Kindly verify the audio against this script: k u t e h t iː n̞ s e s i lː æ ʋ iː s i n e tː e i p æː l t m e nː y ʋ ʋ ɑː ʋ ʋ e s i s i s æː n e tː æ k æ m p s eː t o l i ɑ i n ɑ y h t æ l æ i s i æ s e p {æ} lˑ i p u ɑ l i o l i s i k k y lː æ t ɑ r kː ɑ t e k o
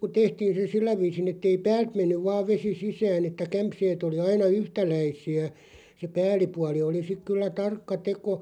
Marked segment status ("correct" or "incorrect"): incorrect